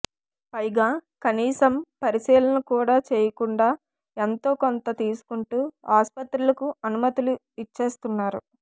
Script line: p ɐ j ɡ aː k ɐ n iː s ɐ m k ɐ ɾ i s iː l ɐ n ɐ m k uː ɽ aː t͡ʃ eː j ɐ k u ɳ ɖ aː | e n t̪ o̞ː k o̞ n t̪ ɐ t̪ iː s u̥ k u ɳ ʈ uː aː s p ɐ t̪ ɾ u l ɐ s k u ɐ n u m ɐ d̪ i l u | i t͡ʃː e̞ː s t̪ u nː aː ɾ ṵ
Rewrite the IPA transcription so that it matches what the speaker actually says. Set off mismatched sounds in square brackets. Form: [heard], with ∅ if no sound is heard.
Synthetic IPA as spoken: p ɐ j ɡ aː k ɐ n iː s ɐ m [p] ɐ ɾ i s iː l ɐ n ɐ [∅] k uː ɽ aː t͡ʃ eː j ɐ k u ɳ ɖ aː | e n t̪ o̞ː k o̞ n t̪ ɐ t̪ iː s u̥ k u ɳ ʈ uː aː s p ɐ t̪ ɾ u l ɐ [∅] k u ɐ n u m ɐ [t̪] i l u | i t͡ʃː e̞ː s t̪ u nː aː ɾ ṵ